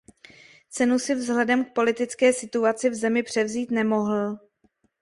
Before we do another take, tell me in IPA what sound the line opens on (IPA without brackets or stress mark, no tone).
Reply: t͡s